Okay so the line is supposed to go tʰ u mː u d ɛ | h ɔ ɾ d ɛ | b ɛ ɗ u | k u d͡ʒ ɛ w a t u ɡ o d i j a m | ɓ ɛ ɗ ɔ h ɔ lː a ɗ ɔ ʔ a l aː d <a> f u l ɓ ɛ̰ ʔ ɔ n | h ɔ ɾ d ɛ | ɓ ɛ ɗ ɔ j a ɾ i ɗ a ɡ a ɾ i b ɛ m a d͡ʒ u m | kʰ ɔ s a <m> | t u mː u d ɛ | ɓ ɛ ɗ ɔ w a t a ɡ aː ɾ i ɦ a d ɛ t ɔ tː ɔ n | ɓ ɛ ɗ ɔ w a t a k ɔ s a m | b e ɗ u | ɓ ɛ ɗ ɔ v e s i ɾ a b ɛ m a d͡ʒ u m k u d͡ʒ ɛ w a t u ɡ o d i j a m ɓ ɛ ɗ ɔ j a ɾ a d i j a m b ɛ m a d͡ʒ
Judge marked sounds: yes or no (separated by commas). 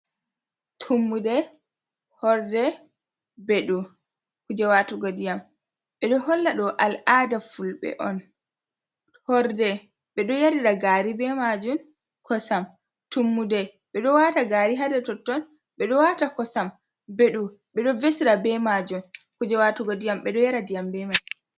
yes, yes